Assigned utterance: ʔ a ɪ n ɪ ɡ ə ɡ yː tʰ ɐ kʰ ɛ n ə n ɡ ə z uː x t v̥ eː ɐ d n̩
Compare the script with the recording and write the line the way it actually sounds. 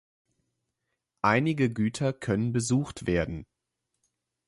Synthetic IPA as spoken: ʔ a ɪ n ɪ ɡ ə ɡ yː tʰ ɐ kʰ œ n ə n b ə z uː x t v̥ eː ɐ d n̩